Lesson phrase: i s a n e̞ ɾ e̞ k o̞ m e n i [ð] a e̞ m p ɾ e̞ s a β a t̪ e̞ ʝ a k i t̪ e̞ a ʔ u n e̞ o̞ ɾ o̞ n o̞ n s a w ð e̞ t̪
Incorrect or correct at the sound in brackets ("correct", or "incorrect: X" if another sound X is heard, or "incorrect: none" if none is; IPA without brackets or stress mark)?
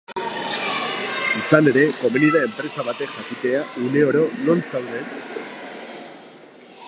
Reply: correct